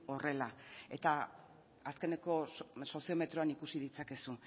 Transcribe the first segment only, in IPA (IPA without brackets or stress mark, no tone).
o̞